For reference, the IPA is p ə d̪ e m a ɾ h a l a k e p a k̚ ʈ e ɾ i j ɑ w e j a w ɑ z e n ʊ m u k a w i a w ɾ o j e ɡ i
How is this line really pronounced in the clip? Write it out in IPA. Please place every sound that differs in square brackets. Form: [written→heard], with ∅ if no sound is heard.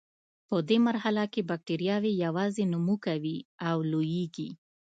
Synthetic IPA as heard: p ə d̪ e m a ɾ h a l a k e [p→b] a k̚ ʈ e ɾ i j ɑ w e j a w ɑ z e n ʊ m u k a w i a w [ɾ→l] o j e ɡ i